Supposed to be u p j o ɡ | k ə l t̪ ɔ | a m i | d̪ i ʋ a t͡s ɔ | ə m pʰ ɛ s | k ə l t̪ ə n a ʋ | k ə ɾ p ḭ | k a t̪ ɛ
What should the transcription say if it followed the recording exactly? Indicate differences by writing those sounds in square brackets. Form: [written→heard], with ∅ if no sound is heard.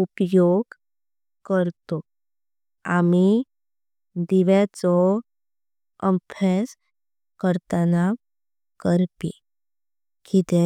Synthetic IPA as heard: u p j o ɡ | k ə [l→ɾ] t̪ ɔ | a m i | d̪ i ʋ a t͡s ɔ | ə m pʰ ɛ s | k ə [l→ɾ] t̪ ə n a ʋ | k ə ɾ p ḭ | k [a→i] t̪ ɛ